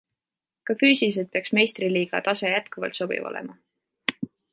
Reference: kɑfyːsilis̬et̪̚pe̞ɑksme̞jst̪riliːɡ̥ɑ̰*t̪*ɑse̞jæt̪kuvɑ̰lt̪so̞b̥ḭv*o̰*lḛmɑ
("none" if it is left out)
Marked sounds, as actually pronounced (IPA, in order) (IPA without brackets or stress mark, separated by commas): t̪, o̰